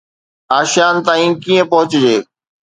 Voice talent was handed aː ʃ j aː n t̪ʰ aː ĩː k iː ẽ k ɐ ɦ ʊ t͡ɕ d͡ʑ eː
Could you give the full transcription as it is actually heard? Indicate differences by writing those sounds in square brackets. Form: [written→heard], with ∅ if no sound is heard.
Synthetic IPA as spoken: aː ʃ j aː n [t̪ʰ→t̪] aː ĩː k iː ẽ [k→p] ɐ ɦ ʊ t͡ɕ d͡ʑ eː